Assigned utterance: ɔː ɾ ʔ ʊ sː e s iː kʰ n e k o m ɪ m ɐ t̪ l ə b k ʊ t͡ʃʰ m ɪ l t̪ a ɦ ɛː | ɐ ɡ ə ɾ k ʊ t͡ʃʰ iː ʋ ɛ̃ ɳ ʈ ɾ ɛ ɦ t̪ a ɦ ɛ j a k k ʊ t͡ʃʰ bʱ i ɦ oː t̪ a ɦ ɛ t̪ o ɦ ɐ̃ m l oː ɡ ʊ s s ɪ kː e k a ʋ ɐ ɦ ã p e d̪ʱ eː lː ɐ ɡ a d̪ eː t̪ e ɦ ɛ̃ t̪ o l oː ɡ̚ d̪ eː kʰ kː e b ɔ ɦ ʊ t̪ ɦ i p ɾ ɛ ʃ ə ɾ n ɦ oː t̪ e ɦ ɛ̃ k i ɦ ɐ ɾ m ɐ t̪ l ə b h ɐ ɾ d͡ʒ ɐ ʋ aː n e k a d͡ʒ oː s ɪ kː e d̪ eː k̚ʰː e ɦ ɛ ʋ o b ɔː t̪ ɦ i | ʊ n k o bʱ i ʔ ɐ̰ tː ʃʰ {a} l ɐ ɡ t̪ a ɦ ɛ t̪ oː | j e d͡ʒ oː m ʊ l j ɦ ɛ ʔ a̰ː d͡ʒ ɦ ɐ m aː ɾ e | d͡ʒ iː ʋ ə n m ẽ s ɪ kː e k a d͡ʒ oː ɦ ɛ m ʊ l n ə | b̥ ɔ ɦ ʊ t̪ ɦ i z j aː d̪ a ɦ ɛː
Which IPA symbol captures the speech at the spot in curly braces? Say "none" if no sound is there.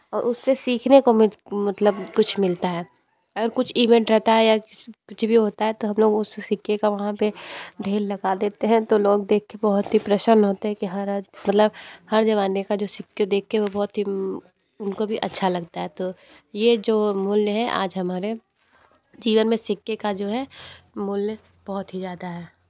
a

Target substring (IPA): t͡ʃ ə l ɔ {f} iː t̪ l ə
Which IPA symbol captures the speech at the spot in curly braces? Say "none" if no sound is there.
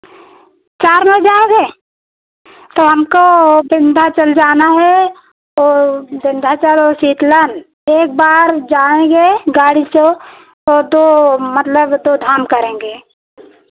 s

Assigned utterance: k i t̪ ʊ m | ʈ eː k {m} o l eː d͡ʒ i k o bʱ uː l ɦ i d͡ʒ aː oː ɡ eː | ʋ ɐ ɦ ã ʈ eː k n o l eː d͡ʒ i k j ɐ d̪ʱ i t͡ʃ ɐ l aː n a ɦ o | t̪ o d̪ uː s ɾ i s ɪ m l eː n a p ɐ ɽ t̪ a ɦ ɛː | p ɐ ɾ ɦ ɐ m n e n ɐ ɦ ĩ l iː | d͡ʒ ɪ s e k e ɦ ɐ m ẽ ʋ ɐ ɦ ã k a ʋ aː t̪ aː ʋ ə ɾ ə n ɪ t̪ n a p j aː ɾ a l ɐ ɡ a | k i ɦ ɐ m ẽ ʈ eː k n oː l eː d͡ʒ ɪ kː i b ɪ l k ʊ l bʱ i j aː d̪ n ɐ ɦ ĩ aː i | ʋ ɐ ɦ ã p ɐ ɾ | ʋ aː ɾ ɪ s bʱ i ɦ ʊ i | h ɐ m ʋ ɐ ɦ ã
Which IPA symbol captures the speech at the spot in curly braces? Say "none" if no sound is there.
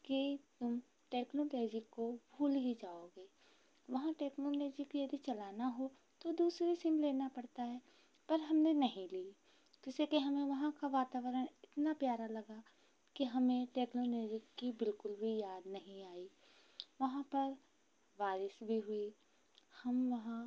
n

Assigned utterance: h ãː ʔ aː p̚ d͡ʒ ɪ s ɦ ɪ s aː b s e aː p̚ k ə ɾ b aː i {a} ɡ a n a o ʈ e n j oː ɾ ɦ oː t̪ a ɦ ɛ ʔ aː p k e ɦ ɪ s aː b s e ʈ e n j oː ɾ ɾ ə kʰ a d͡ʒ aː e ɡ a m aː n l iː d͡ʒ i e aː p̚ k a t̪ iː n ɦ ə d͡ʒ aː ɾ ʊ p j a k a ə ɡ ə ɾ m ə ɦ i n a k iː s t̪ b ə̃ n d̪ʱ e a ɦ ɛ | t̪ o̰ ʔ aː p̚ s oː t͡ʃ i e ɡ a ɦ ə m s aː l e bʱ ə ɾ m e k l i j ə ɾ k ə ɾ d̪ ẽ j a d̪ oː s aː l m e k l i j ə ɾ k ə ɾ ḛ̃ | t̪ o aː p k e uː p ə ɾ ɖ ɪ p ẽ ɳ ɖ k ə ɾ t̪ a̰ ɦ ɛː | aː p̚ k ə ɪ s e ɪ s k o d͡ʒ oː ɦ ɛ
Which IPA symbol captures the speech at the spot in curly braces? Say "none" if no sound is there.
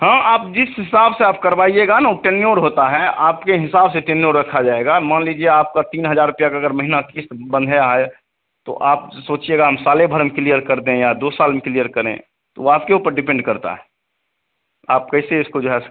e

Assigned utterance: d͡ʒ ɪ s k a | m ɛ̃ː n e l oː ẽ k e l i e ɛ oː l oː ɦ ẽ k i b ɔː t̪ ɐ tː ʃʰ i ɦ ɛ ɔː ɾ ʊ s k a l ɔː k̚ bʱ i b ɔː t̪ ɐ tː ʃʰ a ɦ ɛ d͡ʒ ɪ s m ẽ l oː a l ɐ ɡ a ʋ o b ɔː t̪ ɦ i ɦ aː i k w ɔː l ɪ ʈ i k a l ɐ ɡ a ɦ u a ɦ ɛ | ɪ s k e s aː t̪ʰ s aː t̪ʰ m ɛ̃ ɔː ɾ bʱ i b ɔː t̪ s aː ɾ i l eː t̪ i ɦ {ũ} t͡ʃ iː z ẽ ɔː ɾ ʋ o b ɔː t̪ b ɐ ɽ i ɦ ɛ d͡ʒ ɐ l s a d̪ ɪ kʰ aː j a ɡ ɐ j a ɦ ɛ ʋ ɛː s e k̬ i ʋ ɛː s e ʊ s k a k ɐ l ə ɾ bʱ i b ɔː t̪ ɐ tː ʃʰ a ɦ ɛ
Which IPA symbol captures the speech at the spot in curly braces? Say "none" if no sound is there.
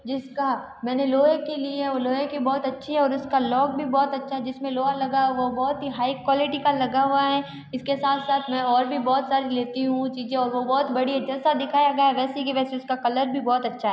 ũ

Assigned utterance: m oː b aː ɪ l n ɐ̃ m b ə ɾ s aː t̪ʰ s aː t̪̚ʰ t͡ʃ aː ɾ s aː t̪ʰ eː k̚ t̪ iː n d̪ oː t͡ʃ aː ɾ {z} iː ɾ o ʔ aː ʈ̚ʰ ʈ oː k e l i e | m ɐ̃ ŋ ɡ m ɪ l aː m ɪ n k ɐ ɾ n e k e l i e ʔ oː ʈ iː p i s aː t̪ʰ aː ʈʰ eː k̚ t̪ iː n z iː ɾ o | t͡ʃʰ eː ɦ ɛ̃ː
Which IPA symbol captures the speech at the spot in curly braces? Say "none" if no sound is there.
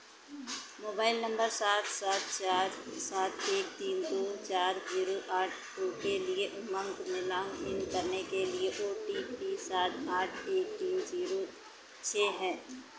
z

